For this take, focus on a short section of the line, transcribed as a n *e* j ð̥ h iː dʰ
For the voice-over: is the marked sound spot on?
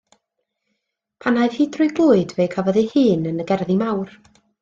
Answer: no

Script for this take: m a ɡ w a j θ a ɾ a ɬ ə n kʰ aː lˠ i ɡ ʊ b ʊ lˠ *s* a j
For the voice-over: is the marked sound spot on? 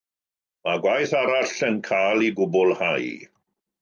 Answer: no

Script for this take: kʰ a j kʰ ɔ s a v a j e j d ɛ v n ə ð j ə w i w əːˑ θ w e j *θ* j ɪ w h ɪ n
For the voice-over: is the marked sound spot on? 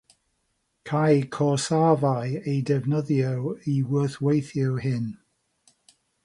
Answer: yes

